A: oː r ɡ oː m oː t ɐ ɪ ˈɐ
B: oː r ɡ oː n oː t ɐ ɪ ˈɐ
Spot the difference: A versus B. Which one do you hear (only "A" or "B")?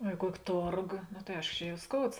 B